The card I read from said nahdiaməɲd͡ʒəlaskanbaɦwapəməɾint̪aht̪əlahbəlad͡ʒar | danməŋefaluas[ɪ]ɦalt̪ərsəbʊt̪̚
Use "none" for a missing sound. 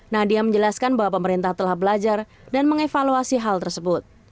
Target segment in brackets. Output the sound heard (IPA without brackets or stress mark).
i